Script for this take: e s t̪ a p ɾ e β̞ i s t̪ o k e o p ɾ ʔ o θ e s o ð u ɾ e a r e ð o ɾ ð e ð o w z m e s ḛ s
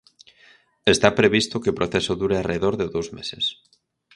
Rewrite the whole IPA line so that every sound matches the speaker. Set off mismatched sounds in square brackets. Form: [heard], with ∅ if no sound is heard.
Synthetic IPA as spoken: e s t̪ a p ɾ e β̞ i s t̪ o k e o p ɾ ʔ o θ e s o ð u ɾ e a r e ð o ɾ ð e ð o w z m e s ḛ s